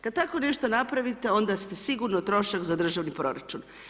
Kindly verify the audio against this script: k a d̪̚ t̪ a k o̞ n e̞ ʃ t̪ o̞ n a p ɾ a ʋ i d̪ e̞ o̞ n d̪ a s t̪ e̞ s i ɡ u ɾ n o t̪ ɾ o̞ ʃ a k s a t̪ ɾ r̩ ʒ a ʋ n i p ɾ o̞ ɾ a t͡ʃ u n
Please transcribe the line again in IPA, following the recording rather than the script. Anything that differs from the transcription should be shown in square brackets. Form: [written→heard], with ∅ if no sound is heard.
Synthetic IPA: k a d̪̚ t̪ a k o̞ n e̞ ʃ t̪ o̞ n a p ɾ a ʋ i [d̪→t̪] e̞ o̞ n d̪ a s t̪ e̞ s i ɡ u ɾ n o t̪ ɾ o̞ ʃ a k [s→z] a [t̪→d̪] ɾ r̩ ʒ a ʋ n i p ɾ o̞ ɾ a t͡ʃ u n